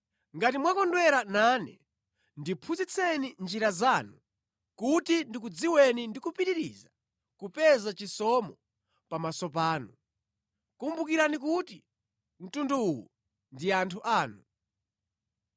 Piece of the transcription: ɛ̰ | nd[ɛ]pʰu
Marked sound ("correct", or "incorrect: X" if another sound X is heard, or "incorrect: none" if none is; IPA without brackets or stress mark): incorrect: i